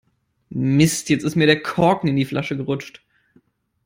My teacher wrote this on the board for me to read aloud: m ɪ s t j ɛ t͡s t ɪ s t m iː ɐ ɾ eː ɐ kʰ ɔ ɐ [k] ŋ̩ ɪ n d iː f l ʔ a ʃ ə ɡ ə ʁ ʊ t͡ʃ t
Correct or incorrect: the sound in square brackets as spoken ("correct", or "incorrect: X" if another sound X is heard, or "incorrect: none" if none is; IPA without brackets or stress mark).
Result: correct